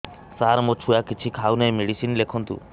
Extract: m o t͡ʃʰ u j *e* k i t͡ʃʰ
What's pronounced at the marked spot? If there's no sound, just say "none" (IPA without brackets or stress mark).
a